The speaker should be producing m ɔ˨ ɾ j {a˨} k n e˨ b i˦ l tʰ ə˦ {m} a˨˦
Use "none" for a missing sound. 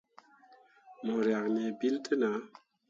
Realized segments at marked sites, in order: a˨, n

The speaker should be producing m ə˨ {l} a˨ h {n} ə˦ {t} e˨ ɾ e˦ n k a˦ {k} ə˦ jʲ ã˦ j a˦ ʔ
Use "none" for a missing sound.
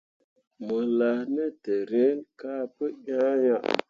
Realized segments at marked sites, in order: l, n, t, p

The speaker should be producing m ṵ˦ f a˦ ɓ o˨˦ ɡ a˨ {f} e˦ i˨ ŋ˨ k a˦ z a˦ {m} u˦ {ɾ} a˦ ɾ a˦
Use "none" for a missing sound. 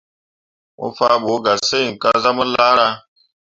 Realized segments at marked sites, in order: s, m, l

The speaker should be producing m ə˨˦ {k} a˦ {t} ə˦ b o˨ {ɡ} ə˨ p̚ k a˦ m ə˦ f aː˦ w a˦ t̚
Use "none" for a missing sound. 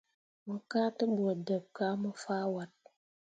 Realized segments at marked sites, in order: k, t, d

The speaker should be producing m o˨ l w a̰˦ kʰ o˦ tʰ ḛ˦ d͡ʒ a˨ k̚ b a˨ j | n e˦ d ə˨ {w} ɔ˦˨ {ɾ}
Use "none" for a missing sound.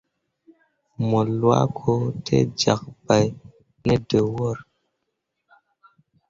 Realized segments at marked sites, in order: w, ɾ

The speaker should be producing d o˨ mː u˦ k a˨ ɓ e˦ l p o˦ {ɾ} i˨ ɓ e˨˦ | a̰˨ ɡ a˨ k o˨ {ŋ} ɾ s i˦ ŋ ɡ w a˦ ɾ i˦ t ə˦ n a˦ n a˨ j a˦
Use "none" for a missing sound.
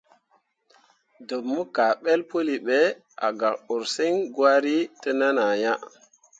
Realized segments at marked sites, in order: l, none

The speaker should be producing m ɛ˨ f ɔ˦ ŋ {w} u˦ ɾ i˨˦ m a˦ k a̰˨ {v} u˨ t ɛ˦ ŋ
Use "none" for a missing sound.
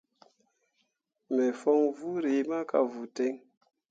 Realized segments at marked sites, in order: v, v

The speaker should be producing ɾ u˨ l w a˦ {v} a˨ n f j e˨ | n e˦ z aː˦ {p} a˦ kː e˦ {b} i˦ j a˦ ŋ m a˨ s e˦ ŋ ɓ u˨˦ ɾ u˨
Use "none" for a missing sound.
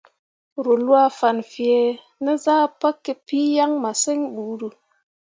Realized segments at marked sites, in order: f, p, p

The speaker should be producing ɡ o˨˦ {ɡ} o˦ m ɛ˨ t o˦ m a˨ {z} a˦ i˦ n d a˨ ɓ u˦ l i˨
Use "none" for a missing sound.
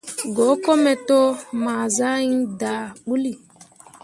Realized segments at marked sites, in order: k, z

